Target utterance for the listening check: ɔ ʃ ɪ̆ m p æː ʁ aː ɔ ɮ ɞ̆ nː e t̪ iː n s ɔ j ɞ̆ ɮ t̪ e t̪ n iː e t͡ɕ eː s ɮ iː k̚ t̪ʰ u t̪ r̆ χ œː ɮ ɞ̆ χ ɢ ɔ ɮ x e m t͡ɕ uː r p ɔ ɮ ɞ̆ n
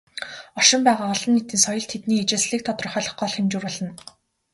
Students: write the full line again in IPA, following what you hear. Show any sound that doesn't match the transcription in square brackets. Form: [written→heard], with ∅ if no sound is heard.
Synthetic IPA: ɔ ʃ ɪ̆ m p æː ʁ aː ɔ ɮ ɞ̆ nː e t̪ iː n s ɔ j ɞ̆ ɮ [t̪→t̪ʰ] e t̪ n iː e t͡ɕ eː s ɮ iː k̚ t̪ʰ [u→ɔ] t̪ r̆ χ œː ɮ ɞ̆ χ ɢ ɔ ɮ x e m t͡ɕ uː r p ɔ ɮ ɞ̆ n